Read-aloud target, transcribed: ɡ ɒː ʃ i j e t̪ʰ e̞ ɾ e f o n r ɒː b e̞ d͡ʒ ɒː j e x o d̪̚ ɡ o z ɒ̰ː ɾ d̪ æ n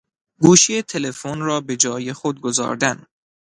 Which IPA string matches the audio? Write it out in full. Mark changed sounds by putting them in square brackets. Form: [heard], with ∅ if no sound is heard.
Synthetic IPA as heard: ɡ [uː] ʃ i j e t̪ʰ e̞ [l] e f o n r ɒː b e̞ d͡ʒ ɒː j e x o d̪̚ ɡ o z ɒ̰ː ɾ d̪ æ n